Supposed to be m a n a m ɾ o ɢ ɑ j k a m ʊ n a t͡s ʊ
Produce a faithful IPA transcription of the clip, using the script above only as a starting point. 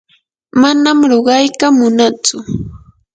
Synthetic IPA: m a n a m ɾ o ɢ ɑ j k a m ʊ n a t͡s ʊ